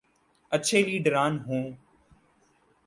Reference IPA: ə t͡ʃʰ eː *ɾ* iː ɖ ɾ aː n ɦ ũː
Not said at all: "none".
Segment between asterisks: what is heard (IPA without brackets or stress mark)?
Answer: l